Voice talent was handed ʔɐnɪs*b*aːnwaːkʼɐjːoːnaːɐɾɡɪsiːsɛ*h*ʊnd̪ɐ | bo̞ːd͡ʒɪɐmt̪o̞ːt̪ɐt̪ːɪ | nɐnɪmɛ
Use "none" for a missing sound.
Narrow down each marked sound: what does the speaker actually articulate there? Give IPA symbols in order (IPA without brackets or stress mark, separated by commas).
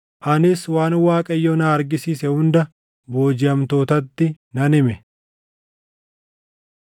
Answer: w, h